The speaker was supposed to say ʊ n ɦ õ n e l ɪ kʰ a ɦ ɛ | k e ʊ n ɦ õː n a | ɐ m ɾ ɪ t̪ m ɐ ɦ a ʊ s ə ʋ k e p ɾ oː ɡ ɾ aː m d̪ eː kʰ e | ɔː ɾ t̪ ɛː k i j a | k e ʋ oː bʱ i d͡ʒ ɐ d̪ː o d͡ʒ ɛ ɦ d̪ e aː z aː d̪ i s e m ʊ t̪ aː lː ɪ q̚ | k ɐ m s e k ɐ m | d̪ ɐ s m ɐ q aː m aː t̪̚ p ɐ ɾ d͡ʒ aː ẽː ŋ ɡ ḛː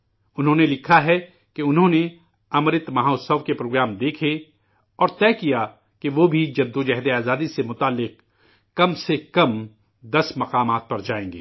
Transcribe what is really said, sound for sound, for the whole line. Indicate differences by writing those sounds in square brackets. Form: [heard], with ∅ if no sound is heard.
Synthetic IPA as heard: ʊ n ɦ õ n e l ɪ kʰ a ɦ ɛ | k e ʊ n ɦ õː n [e] | ɐ m ɾ ɪ t̪ m ɐ ɦ a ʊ s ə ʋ k e p ɾ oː ɡ ɾ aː m d̪ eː kʰ e | ɔː ɾ t̪ ɛː k i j a | k e ʋ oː bʱ i d͡ʒ ɐ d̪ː o d͡ʒ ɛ ɦ d̪ e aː z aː d̪ i s e m ʊ t̪ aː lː ɪ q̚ | k ɐ m s e k ɐ m | d̪ ɐ s m ɐ q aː m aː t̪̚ p ɐ ɾ d͡ʒ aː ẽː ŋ ɡ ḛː